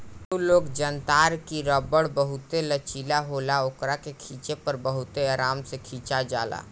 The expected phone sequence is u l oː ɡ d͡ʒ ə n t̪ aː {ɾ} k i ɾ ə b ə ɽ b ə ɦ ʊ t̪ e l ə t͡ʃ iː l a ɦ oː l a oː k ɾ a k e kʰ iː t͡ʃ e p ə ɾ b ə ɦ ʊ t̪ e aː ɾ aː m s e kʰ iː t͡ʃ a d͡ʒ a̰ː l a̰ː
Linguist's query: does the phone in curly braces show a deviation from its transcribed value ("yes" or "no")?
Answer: no